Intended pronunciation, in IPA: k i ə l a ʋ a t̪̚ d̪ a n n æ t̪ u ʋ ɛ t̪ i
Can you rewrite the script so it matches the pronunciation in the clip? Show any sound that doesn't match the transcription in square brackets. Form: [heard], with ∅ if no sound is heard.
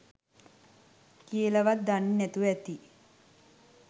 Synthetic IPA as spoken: k i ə l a ʋ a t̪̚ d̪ a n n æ t̪ u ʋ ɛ t̪ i

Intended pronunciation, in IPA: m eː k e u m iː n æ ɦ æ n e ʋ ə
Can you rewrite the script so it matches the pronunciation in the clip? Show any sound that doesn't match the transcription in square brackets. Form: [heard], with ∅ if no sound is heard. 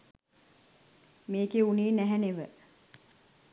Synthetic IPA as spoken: m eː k e u [n] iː n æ ɦ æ n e ʋ ə

